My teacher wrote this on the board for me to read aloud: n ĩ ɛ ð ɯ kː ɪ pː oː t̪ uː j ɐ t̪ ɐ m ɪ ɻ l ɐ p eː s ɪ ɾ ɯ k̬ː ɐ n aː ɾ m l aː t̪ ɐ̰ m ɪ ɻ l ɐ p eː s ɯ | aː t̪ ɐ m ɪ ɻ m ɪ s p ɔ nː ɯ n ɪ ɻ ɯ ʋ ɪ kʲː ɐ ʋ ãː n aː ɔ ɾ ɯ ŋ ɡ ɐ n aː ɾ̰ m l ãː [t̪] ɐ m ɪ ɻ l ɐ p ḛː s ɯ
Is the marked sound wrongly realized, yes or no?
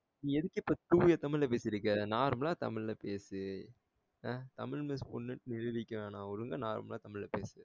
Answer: no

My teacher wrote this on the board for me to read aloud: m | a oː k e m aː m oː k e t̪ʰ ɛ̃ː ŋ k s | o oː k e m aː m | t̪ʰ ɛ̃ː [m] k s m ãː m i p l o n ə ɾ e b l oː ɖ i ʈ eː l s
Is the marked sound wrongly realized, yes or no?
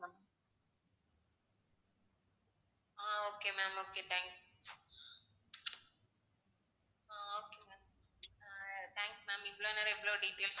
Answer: yes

